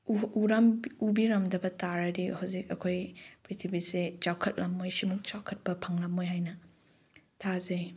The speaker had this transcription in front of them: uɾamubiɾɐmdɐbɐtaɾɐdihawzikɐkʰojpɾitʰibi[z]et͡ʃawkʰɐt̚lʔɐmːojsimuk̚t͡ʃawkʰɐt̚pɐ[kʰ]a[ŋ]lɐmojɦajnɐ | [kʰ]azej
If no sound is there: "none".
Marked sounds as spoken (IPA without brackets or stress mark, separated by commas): s, pʰ, ŋ, tʰ